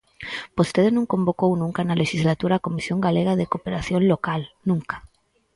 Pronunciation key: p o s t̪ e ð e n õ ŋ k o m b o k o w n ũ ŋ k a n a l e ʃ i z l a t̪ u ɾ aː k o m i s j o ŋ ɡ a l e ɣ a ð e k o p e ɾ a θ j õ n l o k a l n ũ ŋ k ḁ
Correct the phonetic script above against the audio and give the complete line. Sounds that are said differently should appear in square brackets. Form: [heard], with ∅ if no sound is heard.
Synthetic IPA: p o s t̪ e ð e n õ ŋ k o m b o k o w n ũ ŋ k a n a l e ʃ i z l a t̪ u ɾ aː k o m i s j o ŋ ɡ a l e ɣ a ð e k o p e ɾ a θ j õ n l o k a l n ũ ŋ k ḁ